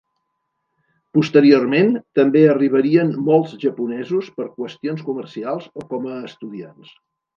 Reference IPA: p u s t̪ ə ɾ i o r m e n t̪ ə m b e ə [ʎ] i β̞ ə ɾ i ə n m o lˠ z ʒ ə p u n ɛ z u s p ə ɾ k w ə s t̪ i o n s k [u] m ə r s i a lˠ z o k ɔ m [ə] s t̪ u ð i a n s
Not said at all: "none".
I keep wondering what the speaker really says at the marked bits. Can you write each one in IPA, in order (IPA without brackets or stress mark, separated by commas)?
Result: r, u, əː